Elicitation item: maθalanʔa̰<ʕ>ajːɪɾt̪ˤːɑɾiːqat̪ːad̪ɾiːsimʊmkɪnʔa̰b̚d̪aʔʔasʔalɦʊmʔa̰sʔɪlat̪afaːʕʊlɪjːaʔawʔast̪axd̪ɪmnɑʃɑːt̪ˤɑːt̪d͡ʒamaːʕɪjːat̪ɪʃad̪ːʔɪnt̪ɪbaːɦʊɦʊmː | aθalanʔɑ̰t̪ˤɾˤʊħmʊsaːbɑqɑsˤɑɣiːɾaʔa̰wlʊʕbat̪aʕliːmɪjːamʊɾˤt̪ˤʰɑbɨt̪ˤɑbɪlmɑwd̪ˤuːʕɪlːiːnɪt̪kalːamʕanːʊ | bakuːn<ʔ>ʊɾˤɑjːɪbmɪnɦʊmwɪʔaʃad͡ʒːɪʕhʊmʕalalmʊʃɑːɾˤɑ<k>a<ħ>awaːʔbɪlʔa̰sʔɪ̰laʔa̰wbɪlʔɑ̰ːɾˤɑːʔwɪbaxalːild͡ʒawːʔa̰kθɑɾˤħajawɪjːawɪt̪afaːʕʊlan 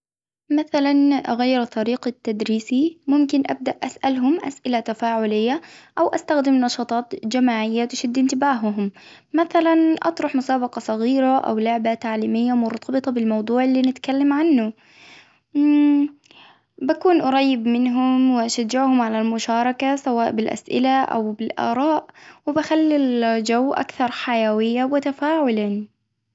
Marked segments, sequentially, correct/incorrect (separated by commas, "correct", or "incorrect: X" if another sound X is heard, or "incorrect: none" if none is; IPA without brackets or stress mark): incorrect: ɣ, correct, correct, incorrect: s